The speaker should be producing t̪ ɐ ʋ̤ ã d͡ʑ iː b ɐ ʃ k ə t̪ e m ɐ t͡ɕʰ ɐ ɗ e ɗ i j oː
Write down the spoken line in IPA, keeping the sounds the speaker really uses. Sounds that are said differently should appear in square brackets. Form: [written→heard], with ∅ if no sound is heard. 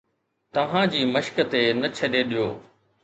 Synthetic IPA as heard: t̪ ɐ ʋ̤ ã d͡ʑ iː [b→m] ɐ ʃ k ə t̪ e [m→n] ɐ t͡ɕʰ ɐ ɗ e ɗ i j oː